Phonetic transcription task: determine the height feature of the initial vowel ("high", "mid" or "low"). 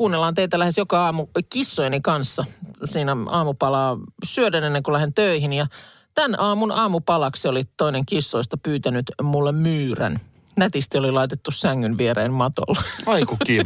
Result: high